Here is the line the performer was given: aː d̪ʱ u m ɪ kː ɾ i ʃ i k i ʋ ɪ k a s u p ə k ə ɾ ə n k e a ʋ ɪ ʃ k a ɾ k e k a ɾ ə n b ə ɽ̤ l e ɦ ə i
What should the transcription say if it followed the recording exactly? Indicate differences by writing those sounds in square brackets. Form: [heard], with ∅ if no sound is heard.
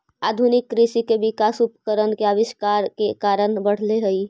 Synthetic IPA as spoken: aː d̪ʱ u [n] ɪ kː ɾ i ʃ i k [e] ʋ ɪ k a s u p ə k ə ɾ ə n k e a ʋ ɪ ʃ k a ɾ k e k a ɾ ə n b ə ɽ̤ l e ɦ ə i